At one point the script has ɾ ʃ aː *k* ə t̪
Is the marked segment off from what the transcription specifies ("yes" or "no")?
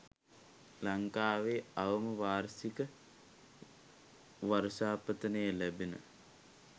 yes